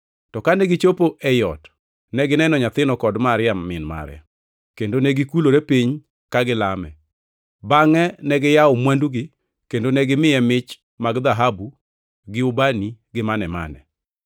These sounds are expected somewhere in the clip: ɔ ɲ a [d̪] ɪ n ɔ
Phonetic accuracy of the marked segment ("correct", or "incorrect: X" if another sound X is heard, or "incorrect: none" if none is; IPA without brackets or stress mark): incorrect: t̪